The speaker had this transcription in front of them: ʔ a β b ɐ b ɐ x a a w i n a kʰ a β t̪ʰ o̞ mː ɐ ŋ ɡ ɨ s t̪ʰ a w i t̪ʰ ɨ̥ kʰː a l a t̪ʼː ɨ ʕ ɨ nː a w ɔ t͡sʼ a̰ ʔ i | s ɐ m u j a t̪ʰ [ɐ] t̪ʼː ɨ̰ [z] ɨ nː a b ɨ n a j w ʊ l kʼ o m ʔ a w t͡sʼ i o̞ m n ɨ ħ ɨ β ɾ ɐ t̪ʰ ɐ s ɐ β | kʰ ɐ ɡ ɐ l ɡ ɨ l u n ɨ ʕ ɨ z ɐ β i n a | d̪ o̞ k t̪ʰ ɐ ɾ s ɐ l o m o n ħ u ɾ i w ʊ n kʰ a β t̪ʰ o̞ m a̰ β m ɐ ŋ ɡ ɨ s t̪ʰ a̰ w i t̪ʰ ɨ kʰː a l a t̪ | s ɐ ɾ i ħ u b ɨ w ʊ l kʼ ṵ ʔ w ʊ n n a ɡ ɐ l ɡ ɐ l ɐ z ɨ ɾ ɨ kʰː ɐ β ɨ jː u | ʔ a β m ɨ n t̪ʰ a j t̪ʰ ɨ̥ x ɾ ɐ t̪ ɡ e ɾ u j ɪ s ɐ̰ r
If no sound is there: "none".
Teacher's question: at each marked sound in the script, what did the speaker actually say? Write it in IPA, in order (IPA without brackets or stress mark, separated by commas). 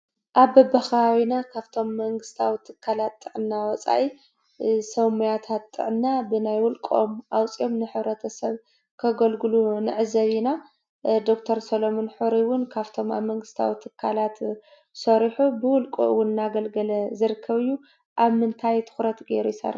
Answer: a, ʕ